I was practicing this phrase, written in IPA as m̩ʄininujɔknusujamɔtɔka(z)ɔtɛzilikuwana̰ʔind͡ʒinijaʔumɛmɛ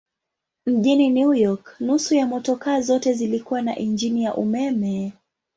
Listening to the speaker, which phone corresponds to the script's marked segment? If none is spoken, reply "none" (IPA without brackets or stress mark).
z